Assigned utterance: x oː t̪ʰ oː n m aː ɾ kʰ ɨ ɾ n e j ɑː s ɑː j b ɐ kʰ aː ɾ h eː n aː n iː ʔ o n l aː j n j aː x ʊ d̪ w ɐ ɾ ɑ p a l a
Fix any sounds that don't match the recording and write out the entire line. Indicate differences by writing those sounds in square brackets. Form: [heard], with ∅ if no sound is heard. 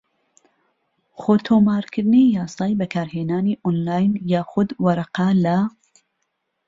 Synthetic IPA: x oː t̪ʰ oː [∅] m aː ɾ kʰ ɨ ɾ n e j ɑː s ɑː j b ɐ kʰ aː ɾ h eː n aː n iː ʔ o n l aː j n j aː x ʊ d̪ w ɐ ɾ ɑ [q] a l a